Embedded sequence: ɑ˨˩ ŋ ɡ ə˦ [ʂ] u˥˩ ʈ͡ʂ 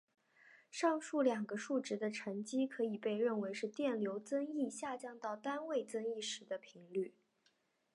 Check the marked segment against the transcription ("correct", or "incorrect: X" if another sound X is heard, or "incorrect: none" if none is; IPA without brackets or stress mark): correct